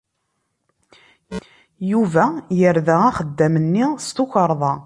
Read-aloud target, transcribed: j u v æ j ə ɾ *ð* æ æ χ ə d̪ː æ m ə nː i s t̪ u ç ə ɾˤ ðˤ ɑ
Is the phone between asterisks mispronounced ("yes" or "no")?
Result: no